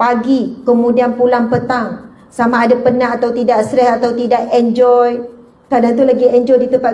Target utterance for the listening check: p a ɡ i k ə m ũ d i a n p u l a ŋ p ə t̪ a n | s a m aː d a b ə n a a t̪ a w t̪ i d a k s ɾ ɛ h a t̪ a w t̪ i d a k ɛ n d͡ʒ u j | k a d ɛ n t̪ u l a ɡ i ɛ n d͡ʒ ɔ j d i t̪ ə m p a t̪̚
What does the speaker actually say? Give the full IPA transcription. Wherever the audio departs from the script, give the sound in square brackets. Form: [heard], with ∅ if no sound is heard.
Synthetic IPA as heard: p a ɡ i k ə m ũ d i a n p u l a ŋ p ə t̪ a [ŋ] | s a m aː d a [p] ə n a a t̪ a w t̪ i d a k s ɾ ɛ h a t̪ a w t̪ i d a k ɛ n d͡ʒ [ɔ] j | k a d [a] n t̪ u l a ɡ i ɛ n d͡ʒ ɔ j d i t̪ ə m p a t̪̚